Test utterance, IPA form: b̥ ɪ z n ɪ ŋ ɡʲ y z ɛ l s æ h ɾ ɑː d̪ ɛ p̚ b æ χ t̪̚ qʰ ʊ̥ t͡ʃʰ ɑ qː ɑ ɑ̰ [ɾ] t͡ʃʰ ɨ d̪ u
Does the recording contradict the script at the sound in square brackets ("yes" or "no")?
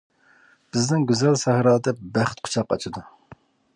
yes